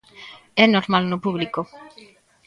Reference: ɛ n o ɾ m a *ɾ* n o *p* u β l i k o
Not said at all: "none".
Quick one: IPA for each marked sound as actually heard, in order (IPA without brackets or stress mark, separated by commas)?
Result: l, p